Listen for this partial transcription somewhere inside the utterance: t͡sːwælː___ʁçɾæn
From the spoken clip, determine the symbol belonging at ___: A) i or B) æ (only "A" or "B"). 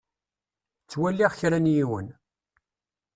A